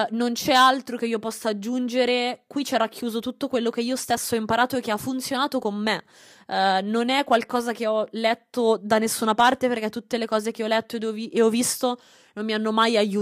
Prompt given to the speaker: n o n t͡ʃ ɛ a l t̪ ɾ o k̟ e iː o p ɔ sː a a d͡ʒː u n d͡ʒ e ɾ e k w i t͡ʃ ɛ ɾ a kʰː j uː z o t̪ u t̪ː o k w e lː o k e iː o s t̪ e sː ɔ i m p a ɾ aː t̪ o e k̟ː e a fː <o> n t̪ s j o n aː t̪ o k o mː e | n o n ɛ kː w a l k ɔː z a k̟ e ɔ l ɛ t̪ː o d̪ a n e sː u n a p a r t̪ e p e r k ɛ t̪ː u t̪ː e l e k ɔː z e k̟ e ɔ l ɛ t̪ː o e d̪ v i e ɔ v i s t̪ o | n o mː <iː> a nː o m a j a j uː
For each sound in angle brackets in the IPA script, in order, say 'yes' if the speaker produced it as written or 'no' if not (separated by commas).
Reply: no, no